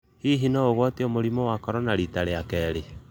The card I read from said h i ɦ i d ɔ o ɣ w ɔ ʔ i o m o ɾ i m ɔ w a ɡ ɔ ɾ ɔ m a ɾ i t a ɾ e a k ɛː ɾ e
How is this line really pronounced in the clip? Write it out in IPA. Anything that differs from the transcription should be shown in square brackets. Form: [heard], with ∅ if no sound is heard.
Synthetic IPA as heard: h i ɦ i [n] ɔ o ɣ w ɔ [t] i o m o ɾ i m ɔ w a [k] ɔ ɾ ɔ [n] a ɾ i t a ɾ e a k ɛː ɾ e